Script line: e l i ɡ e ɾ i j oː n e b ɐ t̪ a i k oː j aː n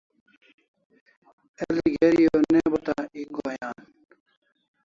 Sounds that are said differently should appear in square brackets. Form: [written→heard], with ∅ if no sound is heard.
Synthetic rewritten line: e l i ɡ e ɾ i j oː n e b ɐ t̪ a i [k→ɡ] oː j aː n

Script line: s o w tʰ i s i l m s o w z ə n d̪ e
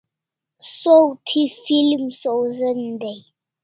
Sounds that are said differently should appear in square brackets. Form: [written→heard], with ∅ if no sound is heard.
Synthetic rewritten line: s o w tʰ i [s→f] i l m s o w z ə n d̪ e

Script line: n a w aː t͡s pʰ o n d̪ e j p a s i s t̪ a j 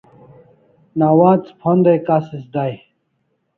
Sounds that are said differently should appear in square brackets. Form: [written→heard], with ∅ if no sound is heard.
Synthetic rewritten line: n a w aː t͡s pʰ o n d̪ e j [p→k] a s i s [t̪→d̪] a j

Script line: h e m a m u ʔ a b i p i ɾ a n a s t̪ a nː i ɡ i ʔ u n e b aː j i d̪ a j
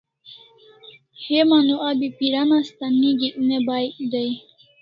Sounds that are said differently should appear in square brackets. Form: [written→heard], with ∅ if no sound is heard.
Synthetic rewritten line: h e m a [m→n] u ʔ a b i p i ɾ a n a s t̪ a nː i ɡ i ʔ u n e b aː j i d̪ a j

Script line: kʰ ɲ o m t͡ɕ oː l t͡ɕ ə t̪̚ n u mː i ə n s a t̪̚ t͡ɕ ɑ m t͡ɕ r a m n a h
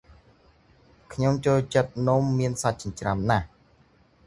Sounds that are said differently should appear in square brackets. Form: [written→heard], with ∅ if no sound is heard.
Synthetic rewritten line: kʰ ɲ o m t͡ɕ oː l t͡ɕ ə t̪̚ n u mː i ə n s a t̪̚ t͡ɕ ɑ [m→ɲ] t͡ɕ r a m n a h

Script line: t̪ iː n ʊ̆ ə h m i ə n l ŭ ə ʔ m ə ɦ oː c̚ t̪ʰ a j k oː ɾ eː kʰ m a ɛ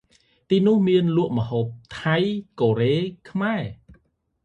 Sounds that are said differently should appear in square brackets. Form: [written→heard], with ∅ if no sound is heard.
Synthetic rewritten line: t̪ iː n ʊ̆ ə h m i ə n l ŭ ə ʔ m ə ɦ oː [c̚→p̚] t̪ʰ a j k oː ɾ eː kʰ m a ɛ

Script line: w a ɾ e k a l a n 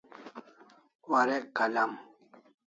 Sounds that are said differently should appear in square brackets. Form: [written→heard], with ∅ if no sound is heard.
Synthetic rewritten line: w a ɾ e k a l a [n→m]

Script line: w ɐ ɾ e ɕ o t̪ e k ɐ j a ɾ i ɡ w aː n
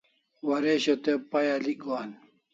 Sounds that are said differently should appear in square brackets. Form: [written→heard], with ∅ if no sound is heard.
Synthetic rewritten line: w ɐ ɾ e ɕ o t̪ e [k→p] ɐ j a [ɾ→l] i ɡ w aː n

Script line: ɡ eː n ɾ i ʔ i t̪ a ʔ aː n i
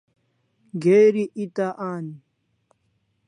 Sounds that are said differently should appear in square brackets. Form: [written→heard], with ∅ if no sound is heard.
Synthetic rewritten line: ɡ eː [n→∅] ɾ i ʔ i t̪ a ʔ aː n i

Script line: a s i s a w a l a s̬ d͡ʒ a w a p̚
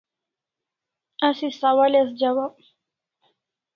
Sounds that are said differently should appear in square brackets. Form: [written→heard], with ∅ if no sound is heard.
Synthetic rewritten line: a s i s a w a l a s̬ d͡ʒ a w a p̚

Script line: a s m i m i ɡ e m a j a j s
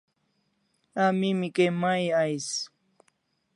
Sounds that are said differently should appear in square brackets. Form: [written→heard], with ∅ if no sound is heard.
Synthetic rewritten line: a [s→∅] m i m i [ɡ→k] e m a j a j s

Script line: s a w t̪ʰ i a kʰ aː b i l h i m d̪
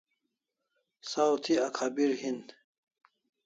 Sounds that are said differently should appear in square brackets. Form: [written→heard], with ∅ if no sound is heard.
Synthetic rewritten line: s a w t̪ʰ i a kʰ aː b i [l→ɾ] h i [m→n] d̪

